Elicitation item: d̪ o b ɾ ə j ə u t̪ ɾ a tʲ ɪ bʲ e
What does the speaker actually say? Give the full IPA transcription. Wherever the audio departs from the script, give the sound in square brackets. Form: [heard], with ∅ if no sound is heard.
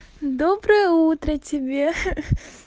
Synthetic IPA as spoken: d̪ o b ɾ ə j ə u t̪ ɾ [ə] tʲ ɪ bʲ e